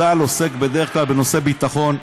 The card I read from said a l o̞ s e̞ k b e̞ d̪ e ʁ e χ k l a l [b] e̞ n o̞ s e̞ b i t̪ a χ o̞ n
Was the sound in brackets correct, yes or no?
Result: yes